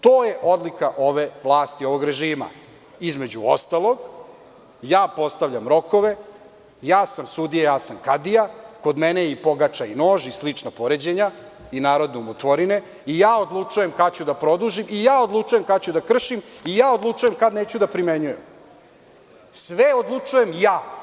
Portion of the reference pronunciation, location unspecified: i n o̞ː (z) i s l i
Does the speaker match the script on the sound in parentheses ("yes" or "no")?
no